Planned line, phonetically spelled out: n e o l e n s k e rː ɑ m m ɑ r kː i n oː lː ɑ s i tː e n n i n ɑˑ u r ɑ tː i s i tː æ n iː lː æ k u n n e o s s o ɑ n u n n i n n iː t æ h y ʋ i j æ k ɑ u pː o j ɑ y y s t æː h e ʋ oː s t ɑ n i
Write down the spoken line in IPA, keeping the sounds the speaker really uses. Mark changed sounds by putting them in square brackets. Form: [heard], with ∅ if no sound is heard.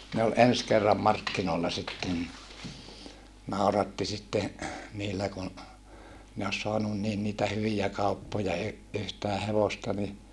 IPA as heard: n e o l e n s k e rː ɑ m m ɑ r kː i n oː lː ɑ s i tː e n n i n ɑˑ u r ɑ tː i s i tː [e] n iː lː æ k u n n e o s s o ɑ n u n n [iː] n n iː t æ h y ʋ i j æ k ɑ u pː o j ɑ y y [h] t æː h e ʋ [o] s t ɑ n i